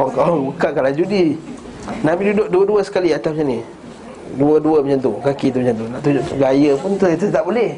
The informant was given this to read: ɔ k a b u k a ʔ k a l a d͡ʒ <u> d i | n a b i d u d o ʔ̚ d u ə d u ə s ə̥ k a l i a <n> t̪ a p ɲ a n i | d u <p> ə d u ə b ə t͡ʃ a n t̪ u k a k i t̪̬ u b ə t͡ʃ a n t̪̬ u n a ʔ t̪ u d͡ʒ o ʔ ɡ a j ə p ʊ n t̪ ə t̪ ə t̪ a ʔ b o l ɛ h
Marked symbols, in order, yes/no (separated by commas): yes, no, no